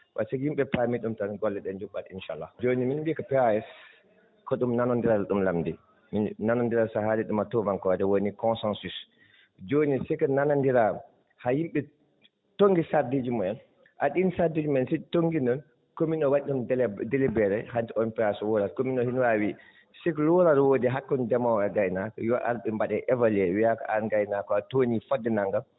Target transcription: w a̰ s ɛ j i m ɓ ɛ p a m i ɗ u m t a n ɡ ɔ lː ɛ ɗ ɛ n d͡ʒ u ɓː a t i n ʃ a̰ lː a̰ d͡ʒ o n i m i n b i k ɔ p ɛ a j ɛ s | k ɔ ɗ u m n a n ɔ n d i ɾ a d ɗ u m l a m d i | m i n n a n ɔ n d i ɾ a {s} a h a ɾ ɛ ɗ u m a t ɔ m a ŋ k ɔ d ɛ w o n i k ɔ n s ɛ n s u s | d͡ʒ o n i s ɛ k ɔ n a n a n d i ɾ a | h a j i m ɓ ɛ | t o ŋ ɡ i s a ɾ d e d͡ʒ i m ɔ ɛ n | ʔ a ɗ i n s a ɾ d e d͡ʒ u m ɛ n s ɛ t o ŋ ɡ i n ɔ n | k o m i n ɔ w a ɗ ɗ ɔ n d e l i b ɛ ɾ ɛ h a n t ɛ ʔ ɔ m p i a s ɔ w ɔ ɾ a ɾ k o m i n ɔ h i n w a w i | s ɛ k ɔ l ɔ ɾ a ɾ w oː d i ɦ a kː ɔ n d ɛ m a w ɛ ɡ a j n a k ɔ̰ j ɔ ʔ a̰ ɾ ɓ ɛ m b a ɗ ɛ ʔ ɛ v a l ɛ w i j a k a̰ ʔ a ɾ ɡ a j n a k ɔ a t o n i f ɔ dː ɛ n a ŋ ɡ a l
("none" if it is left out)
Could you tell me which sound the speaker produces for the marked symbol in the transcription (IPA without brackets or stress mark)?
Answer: s